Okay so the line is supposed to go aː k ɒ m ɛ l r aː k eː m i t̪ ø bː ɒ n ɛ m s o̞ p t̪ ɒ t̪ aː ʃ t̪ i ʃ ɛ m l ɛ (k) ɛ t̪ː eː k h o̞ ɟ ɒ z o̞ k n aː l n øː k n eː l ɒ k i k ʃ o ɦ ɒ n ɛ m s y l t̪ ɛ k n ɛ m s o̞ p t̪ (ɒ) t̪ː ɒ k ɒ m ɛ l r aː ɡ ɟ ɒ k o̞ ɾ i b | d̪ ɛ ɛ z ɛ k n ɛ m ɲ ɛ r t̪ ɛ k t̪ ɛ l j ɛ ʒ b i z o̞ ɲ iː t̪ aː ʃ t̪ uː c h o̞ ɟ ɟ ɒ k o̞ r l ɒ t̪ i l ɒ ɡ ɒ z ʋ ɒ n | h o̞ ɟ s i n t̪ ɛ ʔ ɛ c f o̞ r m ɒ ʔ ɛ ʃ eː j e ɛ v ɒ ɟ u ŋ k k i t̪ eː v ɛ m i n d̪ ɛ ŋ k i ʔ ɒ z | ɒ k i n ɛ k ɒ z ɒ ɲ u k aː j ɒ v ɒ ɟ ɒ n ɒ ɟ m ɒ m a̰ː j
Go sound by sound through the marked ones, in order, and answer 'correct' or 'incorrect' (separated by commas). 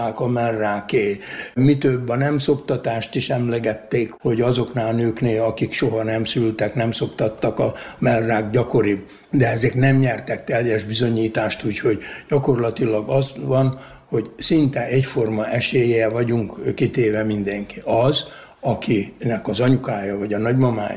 incorrect, correct